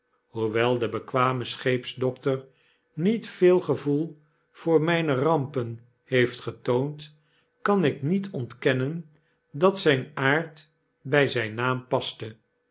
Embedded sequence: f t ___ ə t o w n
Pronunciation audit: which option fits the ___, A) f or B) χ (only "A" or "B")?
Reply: B